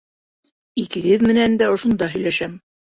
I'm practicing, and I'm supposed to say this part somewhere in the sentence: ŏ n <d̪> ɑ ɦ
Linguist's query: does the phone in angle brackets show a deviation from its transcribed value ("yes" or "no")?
no